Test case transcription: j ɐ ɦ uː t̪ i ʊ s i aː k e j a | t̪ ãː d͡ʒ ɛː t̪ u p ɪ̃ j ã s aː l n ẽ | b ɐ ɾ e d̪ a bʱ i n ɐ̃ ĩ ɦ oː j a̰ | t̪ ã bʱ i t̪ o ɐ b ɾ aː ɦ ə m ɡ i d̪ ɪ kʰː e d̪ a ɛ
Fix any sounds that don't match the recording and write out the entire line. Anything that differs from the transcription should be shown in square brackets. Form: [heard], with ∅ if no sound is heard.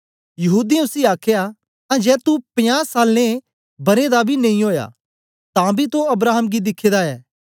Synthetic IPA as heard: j ɐ ɦ uː [d̪] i ʊ s i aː [kʰ] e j a | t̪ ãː d͡ʒ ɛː t̪ u p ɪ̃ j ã s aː l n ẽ | b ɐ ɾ e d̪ a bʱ i n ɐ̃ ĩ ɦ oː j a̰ | t̪ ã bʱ i t̪ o ɐ b ɾ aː ɦ ə m ɡ i d̪ ɪ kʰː e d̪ a [ɛː]